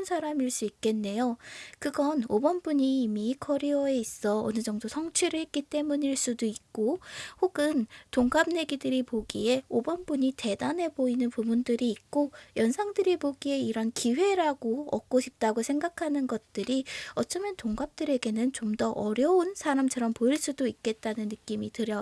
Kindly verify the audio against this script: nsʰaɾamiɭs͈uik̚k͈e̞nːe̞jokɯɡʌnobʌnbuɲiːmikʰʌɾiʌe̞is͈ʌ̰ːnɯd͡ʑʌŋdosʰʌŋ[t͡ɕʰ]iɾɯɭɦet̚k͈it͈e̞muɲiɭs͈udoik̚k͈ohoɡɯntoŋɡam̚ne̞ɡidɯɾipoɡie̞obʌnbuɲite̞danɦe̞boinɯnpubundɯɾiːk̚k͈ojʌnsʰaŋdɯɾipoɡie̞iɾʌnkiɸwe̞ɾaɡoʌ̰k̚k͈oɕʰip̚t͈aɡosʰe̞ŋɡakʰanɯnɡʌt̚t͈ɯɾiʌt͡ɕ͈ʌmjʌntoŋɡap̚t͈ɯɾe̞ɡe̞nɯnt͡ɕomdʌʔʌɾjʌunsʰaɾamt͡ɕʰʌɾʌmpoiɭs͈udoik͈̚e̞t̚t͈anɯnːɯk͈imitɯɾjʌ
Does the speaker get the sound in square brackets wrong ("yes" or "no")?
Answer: no